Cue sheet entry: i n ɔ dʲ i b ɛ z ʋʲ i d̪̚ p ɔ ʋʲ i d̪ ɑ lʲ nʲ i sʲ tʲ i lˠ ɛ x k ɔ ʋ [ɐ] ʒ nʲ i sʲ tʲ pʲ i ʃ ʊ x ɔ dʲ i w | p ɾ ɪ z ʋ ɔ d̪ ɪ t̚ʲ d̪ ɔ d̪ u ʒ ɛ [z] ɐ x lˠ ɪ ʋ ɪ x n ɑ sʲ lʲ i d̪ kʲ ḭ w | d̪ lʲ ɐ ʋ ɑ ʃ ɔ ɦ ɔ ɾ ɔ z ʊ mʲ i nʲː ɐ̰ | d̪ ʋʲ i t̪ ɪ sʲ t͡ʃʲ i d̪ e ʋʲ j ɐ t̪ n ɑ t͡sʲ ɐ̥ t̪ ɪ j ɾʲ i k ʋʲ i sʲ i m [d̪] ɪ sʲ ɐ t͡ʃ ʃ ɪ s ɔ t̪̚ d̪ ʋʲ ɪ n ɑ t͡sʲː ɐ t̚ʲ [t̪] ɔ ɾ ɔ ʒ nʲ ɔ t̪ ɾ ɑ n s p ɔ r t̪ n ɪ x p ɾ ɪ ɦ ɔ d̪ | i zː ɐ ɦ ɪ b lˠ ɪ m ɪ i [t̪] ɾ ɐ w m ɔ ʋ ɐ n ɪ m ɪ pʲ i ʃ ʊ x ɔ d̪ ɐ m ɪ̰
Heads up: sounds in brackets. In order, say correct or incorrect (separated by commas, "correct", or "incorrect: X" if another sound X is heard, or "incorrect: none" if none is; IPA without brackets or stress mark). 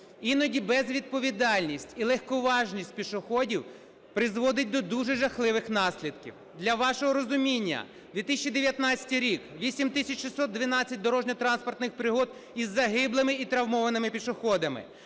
incorrect: ɑ, incorrect: ʒ, incorrect: t̪, incorrect: d̪, correct